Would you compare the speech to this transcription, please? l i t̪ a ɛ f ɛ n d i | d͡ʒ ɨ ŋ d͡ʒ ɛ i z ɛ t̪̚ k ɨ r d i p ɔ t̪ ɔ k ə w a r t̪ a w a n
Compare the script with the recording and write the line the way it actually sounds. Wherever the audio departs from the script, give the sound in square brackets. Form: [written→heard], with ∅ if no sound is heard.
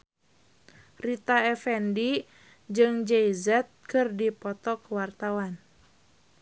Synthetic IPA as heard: [l→r] i t̪ a ɛ f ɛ n d i | d͡ʒ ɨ ŋ d͡ʒ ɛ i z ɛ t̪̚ k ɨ r d i p ɔ t̪ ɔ k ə w a r t̪ a w a n